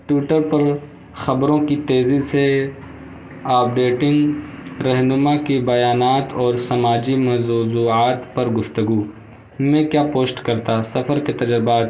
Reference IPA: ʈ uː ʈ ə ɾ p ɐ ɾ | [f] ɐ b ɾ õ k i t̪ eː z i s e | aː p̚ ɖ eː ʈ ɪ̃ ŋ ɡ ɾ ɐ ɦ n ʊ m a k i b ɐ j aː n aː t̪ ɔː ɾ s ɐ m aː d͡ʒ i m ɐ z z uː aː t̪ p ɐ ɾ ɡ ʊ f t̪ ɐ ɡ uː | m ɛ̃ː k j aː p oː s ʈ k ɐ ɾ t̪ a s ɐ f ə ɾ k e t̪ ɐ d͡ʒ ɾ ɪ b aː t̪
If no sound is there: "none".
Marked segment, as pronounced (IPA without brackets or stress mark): x